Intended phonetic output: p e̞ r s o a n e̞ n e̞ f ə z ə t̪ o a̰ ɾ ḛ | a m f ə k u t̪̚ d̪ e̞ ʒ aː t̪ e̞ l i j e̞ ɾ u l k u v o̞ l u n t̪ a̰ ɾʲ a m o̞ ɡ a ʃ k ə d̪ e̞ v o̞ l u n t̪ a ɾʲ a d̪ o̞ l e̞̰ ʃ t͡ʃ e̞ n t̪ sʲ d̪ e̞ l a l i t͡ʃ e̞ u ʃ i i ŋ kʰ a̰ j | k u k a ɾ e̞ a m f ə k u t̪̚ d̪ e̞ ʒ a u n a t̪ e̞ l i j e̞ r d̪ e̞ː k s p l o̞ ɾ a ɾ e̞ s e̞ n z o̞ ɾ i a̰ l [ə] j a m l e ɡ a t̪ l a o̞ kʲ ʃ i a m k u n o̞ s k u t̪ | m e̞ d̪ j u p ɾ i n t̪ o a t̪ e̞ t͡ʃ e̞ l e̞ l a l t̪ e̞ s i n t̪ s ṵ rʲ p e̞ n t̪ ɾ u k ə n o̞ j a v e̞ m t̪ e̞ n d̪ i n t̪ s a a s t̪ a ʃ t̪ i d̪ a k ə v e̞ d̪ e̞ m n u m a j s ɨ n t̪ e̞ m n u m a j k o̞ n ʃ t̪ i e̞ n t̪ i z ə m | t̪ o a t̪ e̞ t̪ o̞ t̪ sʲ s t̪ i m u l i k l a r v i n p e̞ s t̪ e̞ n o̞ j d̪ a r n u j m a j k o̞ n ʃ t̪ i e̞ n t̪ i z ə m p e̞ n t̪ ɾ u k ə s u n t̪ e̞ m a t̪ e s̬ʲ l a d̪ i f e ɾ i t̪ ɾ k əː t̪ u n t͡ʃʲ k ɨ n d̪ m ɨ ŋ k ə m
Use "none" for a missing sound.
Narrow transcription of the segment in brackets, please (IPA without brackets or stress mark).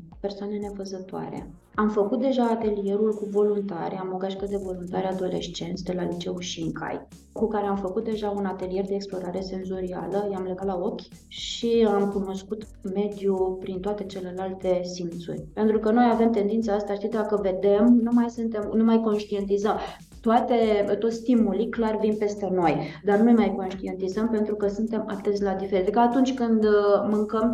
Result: ə